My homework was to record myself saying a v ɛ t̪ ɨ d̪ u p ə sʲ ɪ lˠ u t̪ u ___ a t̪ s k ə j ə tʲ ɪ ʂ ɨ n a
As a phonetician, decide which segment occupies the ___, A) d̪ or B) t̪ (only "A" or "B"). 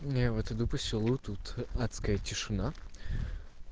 B